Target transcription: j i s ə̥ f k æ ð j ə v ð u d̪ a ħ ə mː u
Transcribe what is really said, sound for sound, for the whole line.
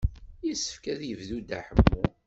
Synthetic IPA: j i s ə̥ f k æ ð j ə v ð u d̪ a ħ ə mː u